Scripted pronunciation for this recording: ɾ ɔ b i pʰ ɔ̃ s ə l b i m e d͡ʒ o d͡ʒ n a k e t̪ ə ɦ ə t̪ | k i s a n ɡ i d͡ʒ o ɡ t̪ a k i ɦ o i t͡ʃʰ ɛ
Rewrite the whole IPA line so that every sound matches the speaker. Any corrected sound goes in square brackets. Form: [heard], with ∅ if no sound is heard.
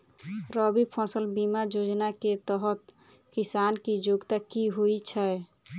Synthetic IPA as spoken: ɾ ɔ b i pʰ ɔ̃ s ə l b i m [a] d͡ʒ o d͡ʒ n a k e t̪ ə ɦ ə t̪ | k i s a n [k] i d͡ʒ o ɡ t̪ a k i ɦ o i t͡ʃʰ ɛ